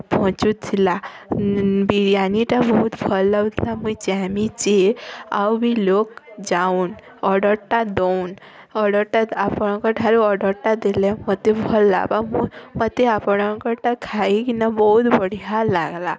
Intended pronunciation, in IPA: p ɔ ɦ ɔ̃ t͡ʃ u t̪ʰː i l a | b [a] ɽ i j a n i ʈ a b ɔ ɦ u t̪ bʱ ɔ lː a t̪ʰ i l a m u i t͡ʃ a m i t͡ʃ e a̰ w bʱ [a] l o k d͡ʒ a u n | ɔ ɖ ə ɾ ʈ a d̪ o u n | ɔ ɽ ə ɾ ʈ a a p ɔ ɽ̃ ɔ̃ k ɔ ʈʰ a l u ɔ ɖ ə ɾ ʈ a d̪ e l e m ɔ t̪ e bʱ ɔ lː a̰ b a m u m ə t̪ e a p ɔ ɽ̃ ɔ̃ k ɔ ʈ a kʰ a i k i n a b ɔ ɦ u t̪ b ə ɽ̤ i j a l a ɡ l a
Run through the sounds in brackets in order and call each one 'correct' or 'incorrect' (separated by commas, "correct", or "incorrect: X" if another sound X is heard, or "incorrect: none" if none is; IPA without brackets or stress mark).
incorrect: i, incorrect: i